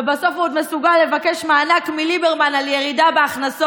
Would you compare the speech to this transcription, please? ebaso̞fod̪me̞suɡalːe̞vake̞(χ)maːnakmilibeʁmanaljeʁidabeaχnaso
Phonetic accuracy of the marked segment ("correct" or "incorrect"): incorrect